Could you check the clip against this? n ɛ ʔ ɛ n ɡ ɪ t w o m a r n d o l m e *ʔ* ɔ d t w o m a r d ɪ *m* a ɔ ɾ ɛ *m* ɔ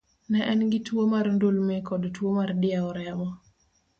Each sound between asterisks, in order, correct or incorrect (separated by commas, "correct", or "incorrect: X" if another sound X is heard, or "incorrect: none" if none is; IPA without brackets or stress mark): incorrect: k, incorrect: none, correct